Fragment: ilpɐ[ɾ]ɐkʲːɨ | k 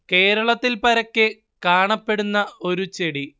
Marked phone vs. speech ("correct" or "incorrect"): correct